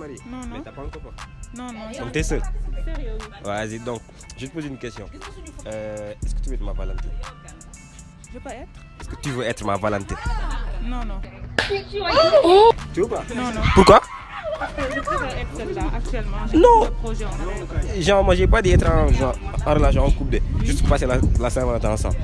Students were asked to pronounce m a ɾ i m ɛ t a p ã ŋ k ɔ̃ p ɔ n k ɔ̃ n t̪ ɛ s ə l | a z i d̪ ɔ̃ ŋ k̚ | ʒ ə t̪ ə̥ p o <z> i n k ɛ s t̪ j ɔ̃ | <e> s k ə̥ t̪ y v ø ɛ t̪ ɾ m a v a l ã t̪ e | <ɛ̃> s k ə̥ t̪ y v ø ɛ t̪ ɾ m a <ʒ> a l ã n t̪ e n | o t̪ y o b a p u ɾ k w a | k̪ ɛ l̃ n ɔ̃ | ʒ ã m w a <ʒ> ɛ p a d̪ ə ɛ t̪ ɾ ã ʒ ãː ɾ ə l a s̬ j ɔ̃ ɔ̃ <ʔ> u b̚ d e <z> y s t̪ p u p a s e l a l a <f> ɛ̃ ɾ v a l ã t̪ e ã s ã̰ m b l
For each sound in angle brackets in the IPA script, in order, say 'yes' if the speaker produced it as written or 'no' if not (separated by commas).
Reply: yes, no, no, no, yes, no, no, no